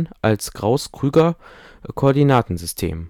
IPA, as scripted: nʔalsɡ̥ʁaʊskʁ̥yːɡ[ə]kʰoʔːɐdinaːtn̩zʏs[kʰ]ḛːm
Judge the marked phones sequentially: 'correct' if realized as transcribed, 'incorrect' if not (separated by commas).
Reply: incorrect, incorrect